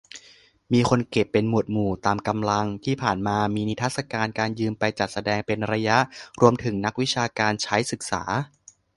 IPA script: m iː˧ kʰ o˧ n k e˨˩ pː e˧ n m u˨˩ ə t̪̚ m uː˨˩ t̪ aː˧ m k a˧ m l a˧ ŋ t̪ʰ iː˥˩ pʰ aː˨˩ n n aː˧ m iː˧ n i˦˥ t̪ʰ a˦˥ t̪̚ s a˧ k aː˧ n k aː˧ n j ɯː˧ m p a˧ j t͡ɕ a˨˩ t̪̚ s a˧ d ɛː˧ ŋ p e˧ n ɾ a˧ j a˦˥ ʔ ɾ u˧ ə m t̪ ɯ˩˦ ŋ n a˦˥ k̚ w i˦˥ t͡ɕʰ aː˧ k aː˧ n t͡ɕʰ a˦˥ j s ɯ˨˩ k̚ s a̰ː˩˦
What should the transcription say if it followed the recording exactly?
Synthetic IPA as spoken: m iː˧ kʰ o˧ n k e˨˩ pː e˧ n m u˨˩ ə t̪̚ m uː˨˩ t̪ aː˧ m k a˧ m l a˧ ŋ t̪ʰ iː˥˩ pʰ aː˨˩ n m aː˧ m iː˧ n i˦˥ t̪ʰ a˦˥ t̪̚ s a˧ k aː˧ n k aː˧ n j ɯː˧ m p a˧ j t͡ɕ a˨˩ t̪̚ s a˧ d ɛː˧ ŋ p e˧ n ɾ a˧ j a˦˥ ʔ ɾ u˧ ə m t̪ʰ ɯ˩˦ ŋ n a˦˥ k̚ w i˦˥ t͡ɕʰ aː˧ k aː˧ n t͡ɕʰ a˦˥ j s ɯ˨˩ k̚ s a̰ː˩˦